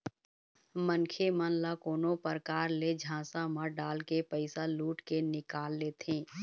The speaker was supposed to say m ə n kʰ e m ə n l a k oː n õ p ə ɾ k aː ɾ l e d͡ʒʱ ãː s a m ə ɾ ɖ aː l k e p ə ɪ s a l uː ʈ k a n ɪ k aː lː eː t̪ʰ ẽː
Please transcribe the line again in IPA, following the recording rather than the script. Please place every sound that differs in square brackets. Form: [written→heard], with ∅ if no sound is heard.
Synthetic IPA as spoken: m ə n kʰ e m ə n l a k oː n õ p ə ɾ k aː ɾ l e d͡ʒʱ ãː s a m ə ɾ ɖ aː l k e p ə ɪ s a l uː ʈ k [a→e] n ɪ k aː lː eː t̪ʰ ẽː

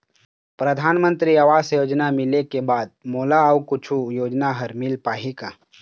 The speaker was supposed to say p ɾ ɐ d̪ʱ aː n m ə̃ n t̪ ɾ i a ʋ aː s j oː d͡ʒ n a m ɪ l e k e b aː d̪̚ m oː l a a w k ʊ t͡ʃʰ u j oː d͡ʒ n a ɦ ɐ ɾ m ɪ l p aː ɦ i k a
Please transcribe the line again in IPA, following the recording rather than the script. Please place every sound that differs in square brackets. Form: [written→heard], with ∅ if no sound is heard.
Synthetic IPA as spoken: p ɾ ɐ d̪ʱ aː n m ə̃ n t̪ ɾ i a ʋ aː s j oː d͡ʒ n a m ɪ l e k e b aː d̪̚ m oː l a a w k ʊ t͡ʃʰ u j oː d͡ʒ n a ɦ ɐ ɾ m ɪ l p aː ɦ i k a

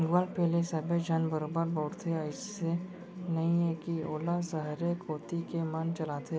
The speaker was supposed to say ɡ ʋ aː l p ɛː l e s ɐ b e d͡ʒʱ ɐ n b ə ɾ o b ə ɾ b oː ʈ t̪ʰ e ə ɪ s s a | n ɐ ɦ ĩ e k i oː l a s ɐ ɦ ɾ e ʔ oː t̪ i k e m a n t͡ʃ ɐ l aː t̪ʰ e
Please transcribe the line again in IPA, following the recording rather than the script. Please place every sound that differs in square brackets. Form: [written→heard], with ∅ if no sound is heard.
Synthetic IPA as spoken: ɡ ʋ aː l p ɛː l e s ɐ b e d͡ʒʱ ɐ n b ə ɾ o b ə ɾ b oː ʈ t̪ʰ e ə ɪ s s [a→e] | n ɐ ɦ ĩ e k i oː l a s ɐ ɦ ɾ e [ʔ→k] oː t̪ i k e m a n t͡ʃ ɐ l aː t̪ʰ e

